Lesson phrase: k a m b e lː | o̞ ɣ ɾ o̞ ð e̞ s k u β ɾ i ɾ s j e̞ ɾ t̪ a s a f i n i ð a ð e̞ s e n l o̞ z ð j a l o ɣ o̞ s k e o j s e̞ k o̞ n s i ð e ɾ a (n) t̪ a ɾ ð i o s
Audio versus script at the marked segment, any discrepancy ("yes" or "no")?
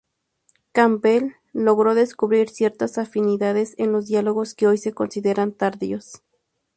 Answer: no